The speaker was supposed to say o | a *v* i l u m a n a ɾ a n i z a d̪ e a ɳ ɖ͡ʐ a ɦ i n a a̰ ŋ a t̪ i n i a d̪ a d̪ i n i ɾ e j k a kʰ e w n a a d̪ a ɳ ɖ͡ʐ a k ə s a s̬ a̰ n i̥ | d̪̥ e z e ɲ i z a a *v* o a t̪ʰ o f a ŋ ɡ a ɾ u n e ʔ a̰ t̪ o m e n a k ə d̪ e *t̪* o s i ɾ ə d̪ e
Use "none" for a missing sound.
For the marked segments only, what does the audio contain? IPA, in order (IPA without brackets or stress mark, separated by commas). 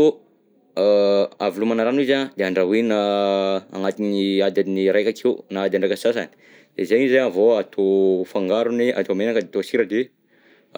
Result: v, v, t̪